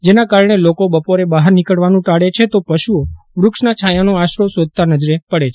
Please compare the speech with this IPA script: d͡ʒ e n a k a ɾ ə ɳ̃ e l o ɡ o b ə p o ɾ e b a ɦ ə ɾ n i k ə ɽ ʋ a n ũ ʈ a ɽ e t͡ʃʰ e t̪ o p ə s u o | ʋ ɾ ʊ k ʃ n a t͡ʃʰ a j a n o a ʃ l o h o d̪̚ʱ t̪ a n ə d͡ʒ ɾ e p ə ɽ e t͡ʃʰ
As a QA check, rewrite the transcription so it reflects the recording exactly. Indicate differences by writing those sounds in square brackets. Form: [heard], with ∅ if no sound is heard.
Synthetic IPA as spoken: d͡ʒ e n a k a ɾ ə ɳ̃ e l o [k] o b ə p o ɾ e b a ɦ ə ɾ n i k ə ɽ ʋ a n ũ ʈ a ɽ e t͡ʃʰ e t̪ o p ə [ʃ] u o | ʋ ɾ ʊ k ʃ n a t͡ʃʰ a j a n o a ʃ [ɾ] o [s] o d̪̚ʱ t̪ a n ə d͡ʒ ɾ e p ə ɽ e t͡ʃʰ